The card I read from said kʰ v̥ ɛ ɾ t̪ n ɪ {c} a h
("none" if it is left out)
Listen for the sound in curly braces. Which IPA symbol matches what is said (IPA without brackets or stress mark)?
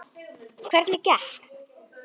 c